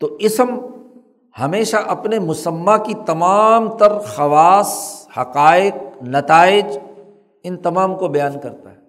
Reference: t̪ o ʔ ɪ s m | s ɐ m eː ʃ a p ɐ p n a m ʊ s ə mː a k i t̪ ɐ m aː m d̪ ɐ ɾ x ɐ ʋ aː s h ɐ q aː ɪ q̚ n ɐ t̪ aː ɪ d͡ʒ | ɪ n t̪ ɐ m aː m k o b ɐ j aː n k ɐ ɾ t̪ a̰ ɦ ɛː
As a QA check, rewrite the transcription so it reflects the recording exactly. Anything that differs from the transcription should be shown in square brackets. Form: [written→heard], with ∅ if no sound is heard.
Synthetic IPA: t̪ o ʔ ɪ s m | [s→h] ɐ m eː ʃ a [p→ʔ] ɐ p n [a→e] m ʊ s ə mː a k i t̪ ɐ m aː m [d̪→t̪] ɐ ɾ x ɐ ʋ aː s h ɐ q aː ɪ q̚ n ɐ t̪ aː ɪ d͡ʒ | ɪ n t̪ ɐ m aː m k o b ɐ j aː n k ɐ ɾ t̪ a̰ ɦ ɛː